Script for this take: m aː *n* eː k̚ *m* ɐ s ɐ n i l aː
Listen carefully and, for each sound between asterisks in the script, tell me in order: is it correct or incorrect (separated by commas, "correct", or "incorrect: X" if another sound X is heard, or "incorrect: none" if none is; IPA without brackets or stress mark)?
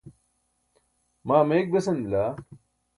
incorrect: m, incorrect: b